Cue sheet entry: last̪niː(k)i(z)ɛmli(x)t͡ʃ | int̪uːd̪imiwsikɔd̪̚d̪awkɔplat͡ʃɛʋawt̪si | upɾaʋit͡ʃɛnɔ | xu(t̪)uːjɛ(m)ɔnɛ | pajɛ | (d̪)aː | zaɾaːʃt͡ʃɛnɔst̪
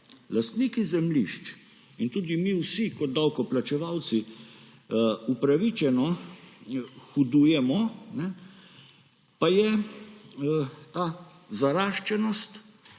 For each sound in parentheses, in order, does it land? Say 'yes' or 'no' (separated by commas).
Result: yes, yes, no, no, yes, no